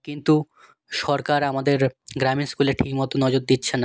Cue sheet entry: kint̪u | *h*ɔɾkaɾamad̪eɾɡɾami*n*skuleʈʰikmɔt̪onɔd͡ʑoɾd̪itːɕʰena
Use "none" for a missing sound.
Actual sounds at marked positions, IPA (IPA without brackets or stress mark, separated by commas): ʃ, n